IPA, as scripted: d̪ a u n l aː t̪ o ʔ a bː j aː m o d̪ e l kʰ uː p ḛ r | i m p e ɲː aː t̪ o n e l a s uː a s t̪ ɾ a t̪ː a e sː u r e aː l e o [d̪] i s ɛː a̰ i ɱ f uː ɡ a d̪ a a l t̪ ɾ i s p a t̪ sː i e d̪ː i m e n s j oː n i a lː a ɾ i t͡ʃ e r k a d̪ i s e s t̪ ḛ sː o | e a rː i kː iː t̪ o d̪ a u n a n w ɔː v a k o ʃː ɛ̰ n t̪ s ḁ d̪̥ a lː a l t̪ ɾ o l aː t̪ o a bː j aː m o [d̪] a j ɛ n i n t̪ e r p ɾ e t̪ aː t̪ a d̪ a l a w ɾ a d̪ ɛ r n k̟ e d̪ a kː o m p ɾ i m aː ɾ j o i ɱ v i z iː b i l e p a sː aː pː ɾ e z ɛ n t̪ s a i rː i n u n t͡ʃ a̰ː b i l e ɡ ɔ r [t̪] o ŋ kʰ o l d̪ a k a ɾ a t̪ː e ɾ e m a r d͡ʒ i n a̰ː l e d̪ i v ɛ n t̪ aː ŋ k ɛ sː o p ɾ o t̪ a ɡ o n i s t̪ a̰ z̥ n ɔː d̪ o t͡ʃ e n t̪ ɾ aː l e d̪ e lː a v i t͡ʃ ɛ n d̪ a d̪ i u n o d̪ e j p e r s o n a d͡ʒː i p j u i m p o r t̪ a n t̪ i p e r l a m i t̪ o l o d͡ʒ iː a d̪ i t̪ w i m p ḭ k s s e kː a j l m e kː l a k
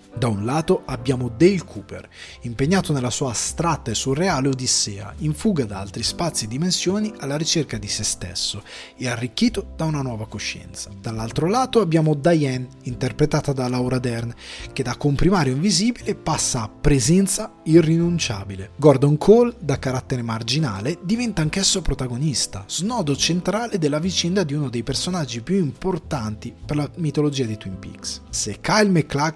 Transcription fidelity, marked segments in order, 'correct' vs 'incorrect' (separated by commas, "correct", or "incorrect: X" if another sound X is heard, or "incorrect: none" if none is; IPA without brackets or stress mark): correct, correct, incorrect: d̪